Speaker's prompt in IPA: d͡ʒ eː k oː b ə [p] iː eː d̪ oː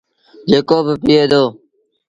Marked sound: correct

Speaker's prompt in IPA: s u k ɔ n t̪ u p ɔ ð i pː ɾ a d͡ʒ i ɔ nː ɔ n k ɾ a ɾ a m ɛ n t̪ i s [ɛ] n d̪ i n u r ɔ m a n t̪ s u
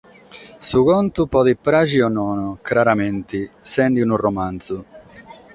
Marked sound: correct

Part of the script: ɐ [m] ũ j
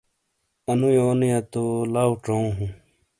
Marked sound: incorrect: n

